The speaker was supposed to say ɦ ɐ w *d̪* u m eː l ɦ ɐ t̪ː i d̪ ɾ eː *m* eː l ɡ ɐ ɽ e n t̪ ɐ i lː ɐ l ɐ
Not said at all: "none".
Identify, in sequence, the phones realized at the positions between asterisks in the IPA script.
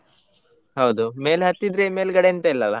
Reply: d̪, m

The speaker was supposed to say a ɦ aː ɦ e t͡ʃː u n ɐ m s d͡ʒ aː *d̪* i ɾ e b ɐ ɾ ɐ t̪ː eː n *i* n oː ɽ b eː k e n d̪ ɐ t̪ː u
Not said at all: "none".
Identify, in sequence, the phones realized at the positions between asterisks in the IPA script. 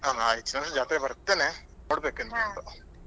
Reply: t̪, e

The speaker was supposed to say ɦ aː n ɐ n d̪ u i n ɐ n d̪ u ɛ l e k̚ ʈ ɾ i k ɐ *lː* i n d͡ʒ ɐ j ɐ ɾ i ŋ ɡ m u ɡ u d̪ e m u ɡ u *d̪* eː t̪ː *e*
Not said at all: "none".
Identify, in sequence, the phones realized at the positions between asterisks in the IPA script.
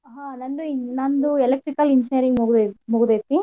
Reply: l, d̪, i

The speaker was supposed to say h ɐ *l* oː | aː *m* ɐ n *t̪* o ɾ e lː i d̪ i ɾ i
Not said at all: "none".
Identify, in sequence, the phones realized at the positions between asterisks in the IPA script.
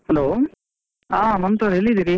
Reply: l, m, t̪

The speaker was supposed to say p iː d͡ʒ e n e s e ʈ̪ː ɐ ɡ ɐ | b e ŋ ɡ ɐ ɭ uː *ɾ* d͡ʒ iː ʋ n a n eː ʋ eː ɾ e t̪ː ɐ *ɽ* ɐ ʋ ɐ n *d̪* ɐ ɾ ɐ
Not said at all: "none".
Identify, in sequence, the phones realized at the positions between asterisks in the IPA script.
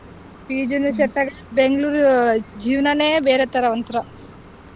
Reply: ɾ, ɾ, t̪

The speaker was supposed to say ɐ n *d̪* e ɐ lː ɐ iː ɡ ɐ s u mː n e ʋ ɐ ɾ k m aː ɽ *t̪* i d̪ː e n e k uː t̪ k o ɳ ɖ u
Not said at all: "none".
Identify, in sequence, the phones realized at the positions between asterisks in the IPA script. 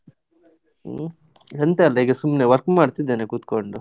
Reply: t̪, t̪

